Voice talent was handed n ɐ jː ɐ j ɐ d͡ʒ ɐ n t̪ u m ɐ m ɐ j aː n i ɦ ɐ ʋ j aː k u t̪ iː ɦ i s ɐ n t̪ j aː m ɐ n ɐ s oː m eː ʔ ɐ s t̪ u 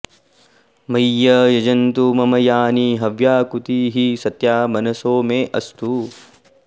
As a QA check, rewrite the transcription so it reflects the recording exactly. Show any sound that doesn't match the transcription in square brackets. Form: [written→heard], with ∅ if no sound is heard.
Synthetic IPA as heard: [n→m] ɐ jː ɐ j ɐ d͡ʒ ɐ n t̪ u m ɐ m ɐ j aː n i ɦ ɐ ʋ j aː k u t̪ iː ɦ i s ɐ [n→∅] t̪ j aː m ɐ n ɐ s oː m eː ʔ ɐ s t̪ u